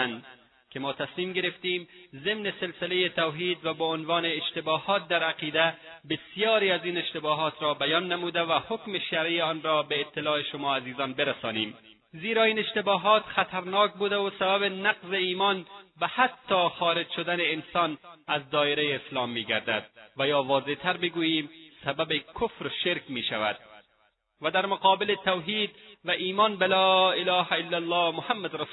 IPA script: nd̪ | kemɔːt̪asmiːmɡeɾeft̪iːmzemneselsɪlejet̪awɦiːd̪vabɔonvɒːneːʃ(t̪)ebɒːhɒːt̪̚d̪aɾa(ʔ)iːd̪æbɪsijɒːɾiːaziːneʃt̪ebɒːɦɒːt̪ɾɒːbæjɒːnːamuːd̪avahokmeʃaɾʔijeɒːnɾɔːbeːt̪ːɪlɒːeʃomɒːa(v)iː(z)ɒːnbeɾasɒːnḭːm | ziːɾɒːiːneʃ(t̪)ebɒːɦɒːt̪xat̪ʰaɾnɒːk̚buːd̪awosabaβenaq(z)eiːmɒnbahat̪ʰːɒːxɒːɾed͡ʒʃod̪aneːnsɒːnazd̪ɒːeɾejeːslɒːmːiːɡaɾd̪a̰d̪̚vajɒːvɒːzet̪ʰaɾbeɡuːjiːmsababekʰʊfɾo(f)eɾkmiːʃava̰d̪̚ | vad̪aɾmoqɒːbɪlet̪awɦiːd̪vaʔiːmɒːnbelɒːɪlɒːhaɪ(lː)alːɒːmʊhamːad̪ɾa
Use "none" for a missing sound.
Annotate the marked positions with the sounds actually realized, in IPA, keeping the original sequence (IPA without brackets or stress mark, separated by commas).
t̪, q, z, z, t̪, z, ʃ, lː